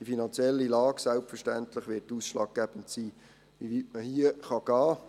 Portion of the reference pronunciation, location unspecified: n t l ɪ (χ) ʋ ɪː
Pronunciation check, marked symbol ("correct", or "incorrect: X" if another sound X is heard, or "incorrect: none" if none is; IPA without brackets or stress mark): correct